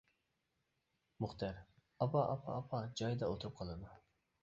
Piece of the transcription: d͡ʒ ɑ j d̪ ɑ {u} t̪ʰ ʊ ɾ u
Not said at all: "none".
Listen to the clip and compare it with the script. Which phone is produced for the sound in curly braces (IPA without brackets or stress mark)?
o